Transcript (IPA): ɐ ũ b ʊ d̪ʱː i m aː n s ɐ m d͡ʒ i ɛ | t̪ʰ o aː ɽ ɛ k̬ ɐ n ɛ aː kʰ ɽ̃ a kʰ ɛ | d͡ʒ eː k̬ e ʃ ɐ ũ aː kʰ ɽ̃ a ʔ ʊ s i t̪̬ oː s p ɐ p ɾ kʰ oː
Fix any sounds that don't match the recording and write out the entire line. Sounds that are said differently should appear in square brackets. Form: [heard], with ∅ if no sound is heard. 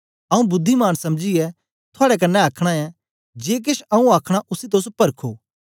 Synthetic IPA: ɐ ũ b ʊ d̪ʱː i m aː n s ɐ m d͡ʒ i ɛ | t̪ʰ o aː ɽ ɛ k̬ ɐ [nː] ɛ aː kʰ ɽ̃ a [∅] ɛ | d͡ʒ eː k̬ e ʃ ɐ ũ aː kʰ ɽ̃ a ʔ ʊ s i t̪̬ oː s p ɐ [∅] ɾ kʰ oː